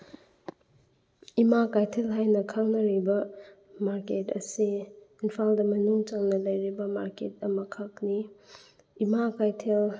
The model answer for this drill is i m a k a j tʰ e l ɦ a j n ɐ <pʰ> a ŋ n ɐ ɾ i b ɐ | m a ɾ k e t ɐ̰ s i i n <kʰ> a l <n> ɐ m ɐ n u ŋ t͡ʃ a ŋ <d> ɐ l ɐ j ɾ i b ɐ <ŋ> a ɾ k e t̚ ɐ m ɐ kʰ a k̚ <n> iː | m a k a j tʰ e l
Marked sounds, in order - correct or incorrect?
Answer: incorrect, incorrect, incorrect, incorrect, incorrect, correct

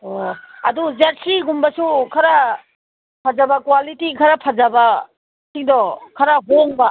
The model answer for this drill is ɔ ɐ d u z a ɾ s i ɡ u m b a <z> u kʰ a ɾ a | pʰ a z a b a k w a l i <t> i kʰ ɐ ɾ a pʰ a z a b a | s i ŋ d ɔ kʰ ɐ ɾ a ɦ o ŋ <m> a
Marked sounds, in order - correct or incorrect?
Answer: incorrect, correct, incorrect

